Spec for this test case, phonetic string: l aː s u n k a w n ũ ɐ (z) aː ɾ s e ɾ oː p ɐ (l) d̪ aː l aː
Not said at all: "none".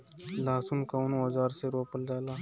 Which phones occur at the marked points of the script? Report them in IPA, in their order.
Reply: z, l

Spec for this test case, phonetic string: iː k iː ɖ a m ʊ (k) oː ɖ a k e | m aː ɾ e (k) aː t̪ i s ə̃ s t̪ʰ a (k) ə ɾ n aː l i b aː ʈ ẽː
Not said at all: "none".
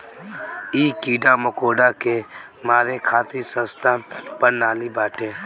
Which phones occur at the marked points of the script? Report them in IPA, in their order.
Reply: k, kʰ, p

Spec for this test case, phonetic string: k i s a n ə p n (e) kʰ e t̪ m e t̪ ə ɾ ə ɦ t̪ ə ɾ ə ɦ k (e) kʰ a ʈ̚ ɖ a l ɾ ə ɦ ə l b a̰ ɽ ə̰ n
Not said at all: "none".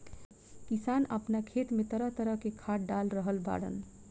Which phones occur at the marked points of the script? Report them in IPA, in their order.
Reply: a, e

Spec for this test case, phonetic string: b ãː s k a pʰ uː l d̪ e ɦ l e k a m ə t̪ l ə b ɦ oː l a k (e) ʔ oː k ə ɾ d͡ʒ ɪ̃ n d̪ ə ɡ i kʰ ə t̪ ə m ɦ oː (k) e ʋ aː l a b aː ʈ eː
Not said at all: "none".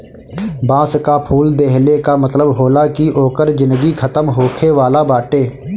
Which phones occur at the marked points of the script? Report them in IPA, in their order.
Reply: i, kʰ

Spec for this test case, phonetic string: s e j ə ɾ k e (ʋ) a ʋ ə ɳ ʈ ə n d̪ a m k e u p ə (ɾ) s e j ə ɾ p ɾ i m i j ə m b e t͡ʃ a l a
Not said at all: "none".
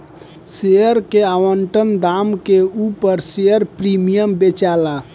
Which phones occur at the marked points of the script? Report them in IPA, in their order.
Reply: none, ɾ

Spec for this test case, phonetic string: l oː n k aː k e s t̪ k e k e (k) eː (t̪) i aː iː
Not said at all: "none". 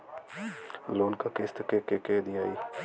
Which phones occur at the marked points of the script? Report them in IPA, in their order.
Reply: k, d̪

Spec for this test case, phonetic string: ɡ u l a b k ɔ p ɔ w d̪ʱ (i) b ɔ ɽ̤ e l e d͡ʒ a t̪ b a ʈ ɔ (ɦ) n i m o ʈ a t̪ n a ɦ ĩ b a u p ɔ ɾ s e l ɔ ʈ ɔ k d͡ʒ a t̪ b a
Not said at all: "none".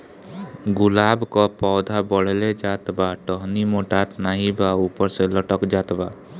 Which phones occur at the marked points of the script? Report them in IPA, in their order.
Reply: a, ɦ

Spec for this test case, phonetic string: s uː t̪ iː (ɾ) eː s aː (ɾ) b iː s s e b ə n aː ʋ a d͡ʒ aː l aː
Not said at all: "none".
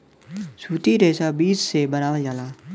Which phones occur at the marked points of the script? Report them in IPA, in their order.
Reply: ɾ, none

